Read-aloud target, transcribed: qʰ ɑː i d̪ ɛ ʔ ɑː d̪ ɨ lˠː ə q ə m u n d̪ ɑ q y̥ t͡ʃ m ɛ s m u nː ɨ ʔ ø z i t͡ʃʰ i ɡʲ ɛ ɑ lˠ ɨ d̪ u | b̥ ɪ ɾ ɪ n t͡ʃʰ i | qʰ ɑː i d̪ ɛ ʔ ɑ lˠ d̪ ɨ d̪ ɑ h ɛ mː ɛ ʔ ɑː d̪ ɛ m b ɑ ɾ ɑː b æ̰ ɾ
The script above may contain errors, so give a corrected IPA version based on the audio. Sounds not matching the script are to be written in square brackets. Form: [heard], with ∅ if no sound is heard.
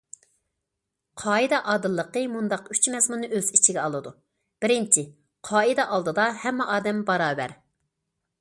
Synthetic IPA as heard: qʰ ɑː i d̪ ɛ ʔ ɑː d̪ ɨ lˠː ə q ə m u n d̪ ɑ q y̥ t͡ʃ m ɛ [z] m u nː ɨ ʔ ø z i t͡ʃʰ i ɡʲ ɛ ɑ lˠ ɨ d̪ u | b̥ ɪ ɾ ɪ n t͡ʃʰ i | qʰ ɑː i d̪ ɛ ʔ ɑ lˠ d̪ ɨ d̪ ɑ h ɛ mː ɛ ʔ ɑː d̪ ɛ m b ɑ ɾ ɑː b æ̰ ɾ

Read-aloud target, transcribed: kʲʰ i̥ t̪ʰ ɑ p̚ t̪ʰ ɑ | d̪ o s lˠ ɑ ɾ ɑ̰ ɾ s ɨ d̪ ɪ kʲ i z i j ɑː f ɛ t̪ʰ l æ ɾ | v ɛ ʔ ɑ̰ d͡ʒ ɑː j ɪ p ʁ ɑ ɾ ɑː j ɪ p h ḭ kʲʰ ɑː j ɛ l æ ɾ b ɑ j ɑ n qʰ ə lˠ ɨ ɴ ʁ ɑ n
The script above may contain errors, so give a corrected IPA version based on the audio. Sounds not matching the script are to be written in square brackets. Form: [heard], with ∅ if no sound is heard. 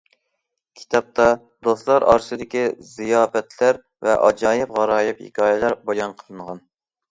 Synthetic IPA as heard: kʲʰ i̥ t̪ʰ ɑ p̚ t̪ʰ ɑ | d̪ o s lˠ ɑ ɾ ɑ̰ ɾ s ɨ d̪ ɪ kʲ i z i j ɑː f ɛ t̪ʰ l æ ɾ | v ɛ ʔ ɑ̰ d͡ʒ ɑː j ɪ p ʁ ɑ ɾ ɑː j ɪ p h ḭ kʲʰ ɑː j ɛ l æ ɾ b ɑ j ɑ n qʰ ə lˠ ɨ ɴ ʁ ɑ n

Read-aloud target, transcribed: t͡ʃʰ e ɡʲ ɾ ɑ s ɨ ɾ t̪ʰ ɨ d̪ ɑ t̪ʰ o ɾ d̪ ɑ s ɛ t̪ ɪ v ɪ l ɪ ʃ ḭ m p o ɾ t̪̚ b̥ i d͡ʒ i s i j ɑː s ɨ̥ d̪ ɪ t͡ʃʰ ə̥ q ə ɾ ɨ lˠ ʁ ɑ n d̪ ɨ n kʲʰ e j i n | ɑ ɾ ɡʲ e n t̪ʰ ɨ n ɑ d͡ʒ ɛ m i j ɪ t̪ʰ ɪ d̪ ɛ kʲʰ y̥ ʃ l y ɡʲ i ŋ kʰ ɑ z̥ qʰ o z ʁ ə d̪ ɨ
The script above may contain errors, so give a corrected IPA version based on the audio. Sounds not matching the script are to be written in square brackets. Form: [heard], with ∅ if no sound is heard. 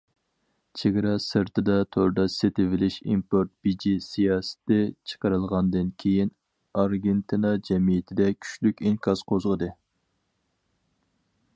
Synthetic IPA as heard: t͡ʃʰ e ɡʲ ɾ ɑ s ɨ ɾ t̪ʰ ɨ d̪ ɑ t̪ʰ o ɾ d̪ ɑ s [e] t̪ ɪ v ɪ l ɪ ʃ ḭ m p o ɾ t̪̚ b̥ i d͡ʒ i s i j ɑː s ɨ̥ [t̪] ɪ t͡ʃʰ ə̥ q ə ɾ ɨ lˠ ʁ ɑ n d̪ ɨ n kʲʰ e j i n | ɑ ɾ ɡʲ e n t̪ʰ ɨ n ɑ d͡ʒ ɛ m i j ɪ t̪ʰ ɪ d̪ ɛ kʲʰ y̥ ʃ l y [kʲ] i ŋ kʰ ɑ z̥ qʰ o z ʁ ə d̪ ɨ

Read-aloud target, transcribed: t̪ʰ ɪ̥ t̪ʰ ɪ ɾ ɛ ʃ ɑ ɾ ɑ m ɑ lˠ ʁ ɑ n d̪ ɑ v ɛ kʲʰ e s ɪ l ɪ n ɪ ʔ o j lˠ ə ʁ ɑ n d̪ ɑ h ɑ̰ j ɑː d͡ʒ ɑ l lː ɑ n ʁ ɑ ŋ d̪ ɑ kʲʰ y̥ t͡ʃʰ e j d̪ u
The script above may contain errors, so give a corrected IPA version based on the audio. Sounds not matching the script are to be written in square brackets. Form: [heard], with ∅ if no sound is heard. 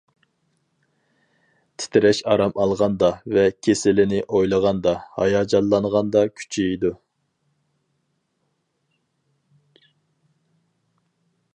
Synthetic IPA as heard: t̪ʰ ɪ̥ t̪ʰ ɪ ɾ ɛ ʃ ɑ ɾ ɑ m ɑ lˠ ʁ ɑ n d̪ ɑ v ɛ kʲʰ e s ɪ l ɪ n ɪ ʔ o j lˠ ə ʁ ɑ n d̪ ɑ h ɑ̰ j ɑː d͡ʒ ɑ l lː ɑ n ʁ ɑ [n] d̪ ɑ kʲʰ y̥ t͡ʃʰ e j d̪ u

